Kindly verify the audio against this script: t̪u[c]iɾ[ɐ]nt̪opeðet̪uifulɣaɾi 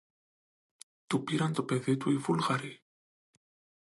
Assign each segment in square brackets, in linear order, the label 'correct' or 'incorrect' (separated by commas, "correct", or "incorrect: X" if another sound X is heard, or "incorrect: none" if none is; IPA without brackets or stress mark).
incorrect: p, incorrect: a